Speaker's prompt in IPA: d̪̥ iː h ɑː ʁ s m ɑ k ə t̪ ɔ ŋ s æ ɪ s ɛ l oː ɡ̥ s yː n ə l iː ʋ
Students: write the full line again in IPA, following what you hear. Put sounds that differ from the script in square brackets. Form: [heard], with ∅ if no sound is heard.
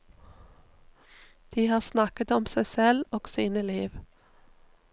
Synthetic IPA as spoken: d̪̥ iː h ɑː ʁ s [n] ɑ k ə t̪ ɔ [m] s æ ɪ s ɛ l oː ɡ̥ s [iː] n ə l iː ʋ